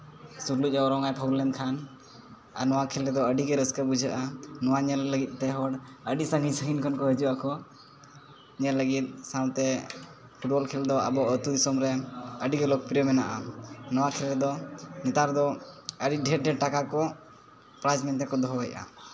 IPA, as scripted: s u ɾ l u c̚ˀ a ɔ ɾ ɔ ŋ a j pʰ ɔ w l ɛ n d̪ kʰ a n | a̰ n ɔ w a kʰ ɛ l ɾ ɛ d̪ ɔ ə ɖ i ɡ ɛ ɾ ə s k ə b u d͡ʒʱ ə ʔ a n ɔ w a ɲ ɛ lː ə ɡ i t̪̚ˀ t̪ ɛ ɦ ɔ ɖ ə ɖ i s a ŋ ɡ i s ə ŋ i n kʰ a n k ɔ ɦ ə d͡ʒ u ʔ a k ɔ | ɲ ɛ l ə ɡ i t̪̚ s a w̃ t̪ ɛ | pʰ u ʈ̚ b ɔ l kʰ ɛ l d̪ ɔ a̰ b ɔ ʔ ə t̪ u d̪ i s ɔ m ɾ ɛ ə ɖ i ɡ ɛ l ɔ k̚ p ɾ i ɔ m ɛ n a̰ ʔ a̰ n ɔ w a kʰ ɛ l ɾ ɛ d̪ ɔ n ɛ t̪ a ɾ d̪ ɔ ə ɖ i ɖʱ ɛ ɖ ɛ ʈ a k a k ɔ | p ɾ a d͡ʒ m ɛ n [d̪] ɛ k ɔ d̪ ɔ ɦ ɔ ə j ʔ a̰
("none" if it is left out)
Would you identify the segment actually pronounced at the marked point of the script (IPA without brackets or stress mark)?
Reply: t̪